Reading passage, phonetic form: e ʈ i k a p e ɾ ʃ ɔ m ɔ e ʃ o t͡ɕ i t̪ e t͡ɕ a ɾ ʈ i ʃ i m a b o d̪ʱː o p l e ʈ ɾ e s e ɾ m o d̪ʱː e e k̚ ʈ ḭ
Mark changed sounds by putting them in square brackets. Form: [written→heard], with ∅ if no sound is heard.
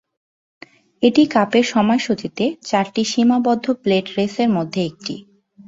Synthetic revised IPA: e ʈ i k a p e ɾ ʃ ɔ m ɔ e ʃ o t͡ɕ i t̪ e t͡ɕ a ɾ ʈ i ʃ i m a b [o→ɔ] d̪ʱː o p l e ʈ ɾ e s e ɾ m o d̪ʱː e e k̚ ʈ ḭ